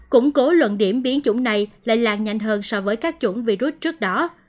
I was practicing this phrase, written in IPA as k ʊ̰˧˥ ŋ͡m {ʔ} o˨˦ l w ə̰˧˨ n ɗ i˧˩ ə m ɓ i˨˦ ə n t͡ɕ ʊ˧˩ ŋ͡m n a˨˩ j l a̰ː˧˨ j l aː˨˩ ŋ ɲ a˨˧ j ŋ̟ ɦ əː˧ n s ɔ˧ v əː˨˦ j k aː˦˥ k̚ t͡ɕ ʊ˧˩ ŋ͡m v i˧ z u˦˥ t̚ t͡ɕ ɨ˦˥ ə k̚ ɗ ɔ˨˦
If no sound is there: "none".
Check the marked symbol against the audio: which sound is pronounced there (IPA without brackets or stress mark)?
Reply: k